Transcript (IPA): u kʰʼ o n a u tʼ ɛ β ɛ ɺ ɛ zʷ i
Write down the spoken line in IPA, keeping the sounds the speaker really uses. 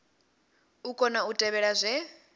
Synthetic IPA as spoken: u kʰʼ ɔ n a u tʼ ɛ β ɛ ɺ a zʷ ɛ